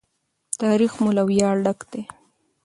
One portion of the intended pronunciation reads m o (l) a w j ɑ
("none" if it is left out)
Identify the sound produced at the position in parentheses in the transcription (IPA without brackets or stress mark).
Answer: l